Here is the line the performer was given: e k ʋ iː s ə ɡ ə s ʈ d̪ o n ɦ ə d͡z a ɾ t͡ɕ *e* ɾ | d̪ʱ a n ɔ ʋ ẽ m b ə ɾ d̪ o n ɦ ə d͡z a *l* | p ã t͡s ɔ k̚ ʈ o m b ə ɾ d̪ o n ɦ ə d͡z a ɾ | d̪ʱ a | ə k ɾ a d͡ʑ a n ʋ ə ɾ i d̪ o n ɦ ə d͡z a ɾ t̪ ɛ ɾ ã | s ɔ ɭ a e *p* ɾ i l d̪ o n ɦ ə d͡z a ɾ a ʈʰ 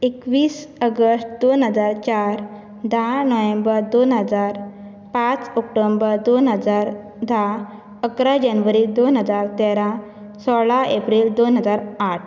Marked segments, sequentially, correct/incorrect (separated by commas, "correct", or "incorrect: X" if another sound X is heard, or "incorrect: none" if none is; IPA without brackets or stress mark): incorrect: a, incorrect: ɾ, correct